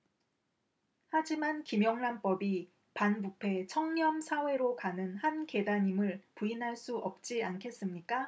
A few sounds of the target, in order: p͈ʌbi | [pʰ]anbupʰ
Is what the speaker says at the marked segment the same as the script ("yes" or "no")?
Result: no